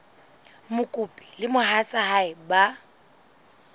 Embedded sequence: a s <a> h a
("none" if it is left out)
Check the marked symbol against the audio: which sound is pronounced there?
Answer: a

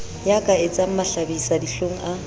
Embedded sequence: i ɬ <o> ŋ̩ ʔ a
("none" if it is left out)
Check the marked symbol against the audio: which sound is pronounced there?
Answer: o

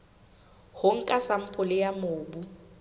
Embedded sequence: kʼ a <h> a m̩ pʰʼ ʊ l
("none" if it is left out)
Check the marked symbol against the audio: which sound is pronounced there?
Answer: s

